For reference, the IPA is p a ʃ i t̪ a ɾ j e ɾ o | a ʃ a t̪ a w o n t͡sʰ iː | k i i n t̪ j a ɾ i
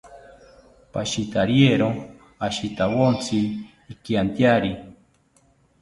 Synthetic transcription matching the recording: p a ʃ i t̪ a ɾ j e ɾ o | a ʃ i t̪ a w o n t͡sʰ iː | k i a n t̪ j a ɾ i